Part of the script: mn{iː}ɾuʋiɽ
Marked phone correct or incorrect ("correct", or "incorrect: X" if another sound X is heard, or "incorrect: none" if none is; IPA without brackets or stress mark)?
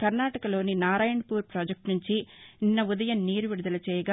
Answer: correct